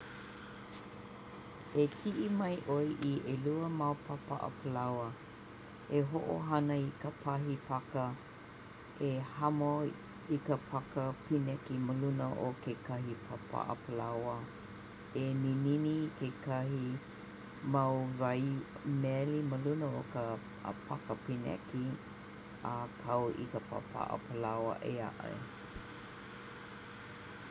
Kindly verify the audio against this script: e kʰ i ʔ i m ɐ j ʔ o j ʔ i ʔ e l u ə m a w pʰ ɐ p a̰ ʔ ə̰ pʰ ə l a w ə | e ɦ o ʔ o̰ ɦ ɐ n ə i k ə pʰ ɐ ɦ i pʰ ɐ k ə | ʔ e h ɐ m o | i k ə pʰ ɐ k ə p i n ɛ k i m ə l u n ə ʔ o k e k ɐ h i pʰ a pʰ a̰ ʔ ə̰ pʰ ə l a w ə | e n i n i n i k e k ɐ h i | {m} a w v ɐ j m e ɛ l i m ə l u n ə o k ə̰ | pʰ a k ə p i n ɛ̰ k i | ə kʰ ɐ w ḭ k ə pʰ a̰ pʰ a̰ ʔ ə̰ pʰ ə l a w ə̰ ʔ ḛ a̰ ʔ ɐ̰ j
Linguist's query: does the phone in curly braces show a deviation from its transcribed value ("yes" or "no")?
no